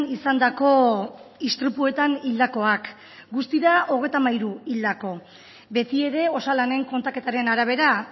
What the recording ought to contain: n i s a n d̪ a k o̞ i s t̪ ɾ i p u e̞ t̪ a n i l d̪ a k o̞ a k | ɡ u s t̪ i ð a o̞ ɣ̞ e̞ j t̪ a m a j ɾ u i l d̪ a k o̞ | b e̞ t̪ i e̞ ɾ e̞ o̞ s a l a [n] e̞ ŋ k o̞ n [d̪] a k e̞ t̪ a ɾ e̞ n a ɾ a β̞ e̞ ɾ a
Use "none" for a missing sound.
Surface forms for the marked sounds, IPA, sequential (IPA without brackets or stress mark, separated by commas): n, t̪